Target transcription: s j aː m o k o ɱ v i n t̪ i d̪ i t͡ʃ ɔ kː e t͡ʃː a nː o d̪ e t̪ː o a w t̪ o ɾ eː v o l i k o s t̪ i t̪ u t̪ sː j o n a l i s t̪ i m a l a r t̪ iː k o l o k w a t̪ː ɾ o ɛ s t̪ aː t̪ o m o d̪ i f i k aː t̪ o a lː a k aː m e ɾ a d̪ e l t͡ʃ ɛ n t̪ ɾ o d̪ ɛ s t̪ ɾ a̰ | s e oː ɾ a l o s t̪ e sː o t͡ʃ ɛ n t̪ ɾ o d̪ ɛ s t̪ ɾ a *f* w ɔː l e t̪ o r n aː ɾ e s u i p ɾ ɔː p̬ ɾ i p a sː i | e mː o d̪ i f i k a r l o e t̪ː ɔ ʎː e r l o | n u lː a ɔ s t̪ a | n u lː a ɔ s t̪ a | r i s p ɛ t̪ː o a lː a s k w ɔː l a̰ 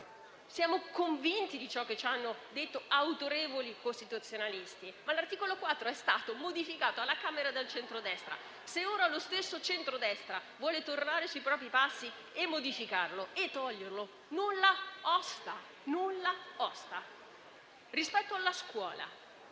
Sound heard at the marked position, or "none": v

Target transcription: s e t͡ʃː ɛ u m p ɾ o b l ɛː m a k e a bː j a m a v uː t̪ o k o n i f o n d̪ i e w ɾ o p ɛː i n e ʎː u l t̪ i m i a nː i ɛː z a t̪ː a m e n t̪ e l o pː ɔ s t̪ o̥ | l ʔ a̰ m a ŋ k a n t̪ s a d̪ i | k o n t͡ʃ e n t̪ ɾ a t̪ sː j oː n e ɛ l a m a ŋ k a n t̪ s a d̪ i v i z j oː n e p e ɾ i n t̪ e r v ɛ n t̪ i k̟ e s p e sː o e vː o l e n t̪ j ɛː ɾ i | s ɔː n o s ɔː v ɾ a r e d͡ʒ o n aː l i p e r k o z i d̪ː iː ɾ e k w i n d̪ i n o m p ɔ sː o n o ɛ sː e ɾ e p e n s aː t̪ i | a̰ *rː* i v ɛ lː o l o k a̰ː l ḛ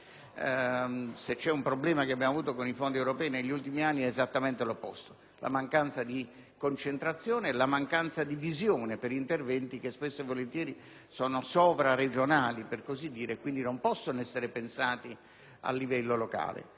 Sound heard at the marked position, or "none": lː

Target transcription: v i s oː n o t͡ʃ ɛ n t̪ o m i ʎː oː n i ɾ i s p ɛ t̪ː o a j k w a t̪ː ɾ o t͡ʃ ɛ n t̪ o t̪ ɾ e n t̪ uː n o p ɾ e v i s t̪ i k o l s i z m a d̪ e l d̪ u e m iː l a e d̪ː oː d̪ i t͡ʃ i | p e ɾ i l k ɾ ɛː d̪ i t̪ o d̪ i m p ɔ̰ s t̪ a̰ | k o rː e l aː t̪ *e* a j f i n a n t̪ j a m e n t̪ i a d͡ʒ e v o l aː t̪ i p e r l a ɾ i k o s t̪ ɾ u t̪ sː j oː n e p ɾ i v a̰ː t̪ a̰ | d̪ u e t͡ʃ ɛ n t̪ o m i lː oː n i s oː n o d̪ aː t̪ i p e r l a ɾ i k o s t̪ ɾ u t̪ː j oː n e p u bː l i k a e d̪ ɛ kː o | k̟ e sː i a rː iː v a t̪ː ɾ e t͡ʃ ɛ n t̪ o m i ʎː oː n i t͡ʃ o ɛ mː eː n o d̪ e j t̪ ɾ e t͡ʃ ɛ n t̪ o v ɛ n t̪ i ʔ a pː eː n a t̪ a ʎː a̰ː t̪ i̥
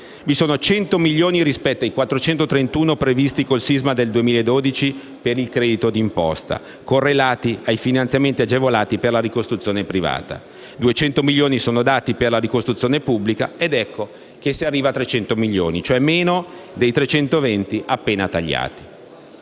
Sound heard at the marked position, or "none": i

